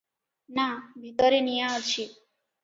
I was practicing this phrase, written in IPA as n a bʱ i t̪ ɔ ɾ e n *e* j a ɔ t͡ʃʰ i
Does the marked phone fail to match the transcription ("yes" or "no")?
yes